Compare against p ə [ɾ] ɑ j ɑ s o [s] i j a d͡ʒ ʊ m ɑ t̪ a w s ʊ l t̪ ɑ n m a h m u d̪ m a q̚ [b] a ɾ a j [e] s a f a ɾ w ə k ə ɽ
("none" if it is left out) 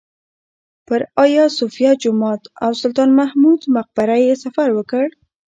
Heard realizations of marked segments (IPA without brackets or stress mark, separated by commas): ɾ, f, b, e